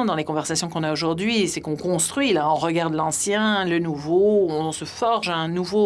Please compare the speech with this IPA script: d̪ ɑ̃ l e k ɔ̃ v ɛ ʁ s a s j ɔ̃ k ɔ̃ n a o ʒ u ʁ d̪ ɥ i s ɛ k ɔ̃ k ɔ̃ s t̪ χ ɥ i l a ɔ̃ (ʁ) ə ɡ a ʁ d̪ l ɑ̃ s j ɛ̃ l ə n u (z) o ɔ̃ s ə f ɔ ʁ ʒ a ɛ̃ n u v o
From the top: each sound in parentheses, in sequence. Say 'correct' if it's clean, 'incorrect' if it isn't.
correct, incorrect: v

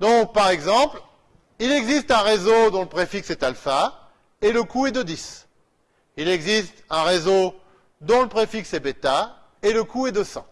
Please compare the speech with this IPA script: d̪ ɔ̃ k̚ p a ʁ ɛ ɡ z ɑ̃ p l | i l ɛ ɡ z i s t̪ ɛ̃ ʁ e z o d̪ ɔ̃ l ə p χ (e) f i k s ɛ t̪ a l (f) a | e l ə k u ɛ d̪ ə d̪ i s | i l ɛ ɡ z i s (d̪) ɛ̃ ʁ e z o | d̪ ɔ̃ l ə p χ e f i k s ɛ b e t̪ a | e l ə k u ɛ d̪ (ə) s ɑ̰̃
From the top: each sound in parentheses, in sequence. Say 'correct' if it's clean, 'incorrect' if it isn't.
correct, correct, incorrect: t̪, correct

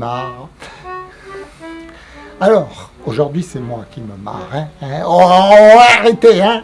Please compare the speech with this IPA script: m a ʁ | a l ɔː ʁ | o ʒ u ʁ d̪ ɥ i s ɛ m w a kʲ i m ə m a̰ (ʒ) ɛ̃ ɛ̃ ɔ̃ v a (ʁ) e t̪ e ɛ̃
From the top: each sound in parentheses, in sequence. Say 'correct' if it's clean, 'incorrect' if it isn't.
incorrect: ʁ, correct

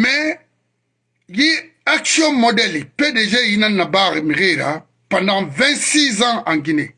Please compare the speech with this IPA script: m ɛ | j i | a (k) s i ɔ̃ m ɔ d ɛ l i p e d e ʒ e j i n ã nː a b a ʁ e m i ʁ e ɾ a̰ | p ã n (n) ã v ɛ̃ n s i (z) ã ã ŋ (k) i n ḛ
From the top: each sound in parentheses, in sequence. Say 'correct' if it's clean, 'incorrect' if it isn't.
correct, incorrect: d, correct, incorrect: ɡ

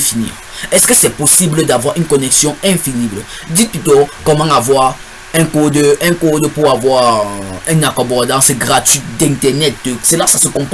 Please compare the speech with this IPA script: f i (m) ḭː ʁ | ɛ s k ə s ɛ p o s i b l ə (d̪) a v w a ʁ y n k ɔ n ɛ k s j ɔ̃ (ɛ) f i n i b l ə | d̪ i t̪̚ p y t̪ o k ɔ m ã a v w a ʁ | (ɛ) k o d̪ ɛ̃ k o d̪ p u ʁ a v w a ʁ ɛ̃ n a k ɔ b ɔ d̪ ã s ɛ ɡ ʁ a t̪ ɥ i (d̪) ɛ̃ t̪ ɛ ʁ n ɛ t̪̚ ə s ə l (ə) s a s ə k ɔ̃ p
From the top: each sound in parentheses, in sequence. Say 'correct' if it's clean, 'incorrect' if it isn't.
incorrect: n, correct, incorrect: ɛ̃, incorrect: ɛ̃, correct, incorrect: a

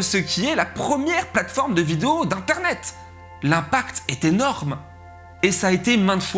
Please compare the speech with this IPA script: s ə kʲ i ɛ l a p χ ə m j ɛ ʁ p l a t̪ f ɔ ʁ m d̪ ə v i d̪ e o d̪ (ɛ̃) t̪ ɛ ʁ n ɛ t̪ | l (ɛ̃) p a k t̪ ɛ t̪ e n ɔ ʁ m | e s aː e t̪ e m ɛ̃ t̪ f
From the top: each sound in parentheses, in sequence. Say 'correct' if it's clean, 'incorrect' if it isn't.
correct, correct

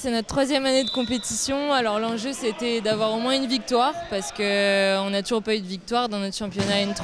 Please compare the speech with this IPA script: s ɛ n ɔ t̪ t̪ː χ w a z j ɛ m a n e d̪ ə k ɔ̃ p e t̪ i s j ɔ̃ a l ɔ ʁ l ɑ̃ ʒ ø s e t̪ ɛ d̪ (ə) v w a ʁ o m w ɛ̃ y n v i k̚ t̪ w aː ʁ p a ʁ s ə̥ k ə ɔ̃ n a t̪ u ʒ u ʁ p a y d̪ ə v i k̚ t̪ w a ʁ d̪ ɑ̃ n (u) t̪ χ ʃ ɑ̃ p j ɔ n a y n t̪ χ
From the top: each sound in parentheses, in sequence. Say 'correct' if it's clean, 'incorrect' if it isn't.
incorrect: a, incorrect: ɔ

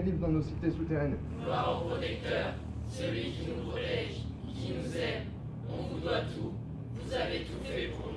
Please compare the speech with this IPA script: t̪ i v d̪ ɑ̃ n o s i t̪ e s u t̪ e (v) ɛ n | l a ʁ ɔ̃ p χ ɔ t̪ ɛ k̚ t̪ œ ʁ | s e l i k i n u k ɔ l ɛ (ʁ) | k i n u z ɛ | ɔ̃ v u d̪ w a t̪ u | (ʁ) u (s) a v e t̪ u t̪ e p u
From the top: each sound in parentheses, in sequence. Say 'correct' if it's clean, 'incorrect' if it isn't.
incorrect: ʁ, incorrect: ʒ, incorrect: v, incorrect: z

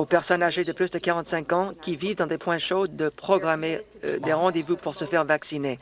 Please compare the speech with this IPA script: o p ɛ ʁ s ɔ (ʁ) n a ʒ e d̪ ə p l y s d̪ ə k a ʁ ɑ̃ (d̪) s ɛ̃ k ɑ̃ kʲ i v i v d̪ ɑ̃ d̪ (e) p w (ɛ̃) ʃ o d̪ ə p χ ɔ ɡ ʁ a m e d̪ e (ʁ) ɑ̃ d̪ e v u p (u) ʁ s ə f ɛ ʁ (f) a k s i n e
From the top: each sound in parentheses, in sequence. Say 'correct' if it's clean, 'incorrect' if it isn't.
incorrect: none, incorrect: t̪, correct, correct, correct, correct, incorrect: v

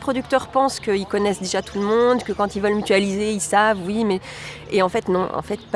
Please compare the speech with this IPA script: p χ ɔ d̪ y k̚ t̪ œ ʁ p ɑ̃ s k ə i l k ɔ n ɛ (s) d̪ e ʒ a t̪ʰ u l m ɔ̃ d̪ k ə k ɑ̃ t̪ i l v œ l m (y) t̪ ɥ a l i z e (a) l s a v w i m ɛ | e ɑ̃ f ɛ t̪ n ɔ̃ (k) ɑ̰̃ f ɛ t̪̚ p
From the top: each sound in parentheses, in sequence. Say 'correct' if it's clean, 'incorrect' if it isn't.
correct, correct, incorrect: i, incorrect: none

